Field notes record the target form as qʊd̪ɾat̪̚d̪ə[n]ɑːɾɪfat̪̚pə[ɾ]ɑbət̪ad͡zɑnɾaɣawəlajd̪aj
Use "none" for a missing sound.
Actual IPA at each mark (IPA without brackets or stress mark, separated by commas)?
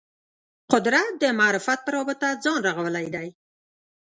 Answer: m, ɾ